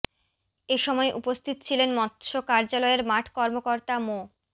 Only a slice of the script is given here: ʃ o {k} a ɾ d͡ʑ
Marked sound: correct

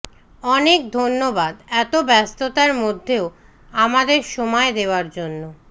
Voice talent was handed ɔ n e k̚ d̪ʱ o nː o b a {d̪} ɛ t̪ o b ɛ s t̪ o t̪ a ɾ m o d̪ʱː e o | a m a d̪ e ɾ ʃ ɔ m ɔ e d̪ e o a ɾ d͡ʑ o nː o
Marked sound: correct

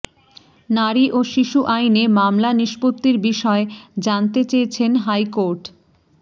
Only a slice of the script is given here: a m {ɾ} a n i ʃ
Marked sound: incorrect: l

